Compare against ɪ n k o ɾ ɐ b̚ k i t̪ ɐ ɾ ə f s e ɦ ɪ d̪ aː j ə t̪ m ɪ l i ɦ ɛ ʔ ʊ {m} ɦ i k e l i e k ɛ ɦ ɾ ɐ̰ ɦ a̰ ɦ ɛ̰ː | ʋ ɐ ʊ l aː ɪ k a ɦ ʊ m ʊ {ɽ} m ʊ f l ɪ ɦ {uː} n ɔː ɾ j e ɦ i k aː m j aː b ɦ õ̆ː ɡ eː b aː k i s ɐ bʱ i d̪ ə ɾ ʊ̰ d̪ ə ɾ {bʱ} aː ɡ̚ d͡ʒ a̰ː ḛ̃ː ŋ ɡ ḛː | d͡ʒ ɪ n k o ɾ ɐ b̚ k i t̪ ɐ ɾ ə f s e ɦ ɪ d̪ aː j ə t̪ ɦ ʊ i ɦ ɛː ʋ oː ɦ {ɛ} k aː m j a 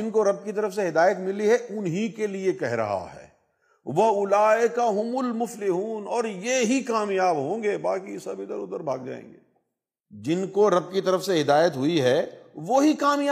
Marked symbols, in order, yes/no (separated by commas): no, no, yes, yes, no